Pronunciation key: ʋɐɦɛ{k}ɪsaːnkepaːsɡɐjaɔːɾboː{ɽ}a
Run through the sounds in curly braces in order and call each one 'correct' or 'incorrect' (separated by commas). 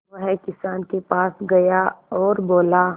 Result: correct, incorrect